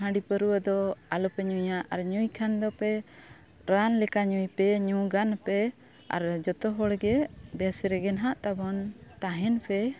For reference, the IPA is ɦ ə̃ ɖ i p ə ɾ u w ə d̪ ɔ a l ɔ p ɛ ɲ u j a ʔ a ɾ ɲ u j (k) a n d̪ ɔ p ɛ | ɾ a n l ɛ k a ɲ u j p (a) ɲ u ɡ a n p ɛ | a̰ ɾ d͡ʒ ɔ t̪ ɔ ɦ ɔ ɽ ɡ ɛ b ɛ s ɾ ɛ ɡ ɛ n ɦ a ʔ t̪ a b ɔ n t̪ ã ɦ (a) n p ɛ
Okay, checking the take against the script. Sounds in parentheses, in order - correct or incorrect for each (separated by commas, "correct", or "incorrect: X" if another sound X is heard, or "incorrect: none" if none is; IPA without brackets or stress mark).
incorrect: kʰ, incorrect: ɛ, incorrect: ɛ